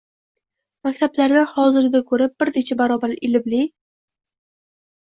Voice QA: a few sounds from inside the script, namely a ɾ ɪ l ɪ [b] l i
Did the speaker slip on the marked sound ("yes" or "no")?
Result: no